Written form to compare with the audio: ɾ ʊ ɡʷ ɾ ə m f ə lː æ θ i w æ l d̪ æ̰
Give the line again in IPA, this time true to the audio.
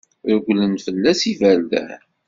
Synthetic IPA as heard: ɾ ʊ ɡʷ l ə n f ə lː æ s i v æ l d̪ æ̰